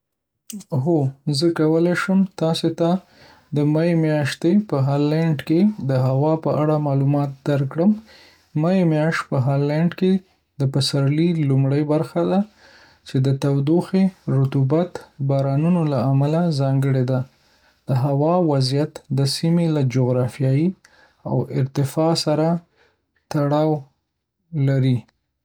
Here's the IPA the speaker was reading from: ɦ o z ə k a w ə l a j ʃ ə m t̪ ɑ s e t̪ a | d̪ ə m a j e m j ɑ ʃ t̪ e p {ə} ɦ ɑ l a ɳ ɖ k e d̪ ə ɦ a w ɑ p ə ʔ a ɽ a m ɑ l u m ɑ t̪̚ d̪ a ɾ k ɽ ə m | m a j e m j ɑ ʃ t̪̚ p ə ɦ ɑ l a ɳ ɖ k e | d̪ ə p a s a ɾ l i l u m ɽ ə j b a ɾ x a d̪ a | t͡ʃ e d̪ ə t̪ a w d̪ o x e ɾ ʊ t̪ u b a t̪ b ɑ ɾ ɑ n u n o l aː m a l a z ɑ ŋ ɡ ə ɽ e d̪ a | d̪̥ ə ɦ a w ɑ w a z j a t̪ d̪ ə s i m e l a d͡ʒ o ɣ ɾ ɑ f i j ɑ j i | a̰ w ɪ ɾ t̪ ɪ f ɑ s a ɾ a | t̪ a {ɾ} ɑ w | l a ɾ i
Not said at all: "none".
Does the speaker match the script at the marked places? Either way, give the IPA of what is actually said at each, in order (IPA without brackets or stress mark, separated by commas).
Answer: ə, ɽ